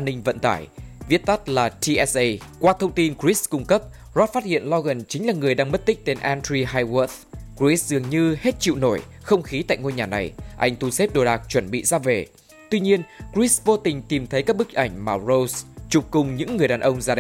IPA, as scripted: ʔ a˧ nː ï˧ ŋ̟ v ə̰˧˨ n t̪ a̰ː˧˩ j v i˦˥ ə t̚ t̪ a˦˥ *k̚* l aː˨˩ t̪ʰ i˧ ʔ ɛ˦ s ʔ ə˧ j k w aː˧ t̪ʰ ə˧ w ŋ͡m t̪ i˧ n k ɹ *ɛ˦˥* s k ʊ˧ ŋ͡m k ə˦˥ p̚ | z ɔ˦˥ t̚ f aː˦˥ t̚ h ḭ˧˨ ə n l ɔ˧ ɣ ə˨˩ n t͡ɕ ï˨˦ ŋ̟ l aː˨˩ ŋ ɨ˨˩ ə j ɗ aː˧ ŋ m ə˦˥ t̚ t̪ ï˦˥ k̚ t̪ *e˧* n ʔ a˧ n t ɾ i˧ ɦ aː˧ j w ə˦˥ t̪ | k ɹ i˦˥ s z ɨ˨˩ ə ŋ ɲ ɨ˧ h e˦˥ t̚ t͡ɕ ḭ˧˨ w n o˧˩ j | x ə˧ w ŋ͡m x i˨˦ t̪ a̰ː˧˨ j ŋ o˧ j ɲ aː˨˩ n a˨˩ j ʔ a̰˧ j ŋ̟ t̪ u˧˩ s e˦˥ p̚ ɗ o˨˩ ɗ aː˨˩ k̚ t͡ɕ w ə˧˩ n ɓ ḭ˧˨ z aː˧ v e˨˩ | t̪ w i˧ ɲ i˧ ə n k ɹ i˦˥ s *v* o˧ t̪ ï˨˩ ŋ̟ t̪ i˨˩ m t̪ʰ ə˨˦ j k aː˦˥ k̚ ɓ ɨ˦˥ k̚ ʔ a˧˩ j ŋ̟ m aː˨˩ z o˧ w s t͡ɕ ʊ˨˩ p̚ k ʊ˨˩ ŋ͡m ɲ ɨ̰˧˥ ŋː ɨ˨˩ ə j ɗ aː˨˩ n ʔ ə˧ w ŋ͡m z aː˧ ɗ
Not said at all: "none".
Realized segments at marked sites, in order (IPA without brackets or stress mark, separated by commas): t̚, i˦˥, e˧, v